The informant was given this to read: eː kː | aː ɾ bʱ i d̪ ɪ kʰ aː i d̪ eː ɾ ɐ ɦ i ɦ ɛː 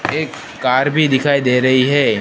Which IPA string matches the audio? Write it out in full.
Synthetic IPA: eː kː | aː ɾ bʱ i d̪ ɪ kʰ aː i d̪ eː ɾ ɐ ɦ i ɦ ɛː